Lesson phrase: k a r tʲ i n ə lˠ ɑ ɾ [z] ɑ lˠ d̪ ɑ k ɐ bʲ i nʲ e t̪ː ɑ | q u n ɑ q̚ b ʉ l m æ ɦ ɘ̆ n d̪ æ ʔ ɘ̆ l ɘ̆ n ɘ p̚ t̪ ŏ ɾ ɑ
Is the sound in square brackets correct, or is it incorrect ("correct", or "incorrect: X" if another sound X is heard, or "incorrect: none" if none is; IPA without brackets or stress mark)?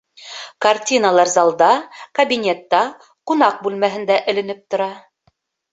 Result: correct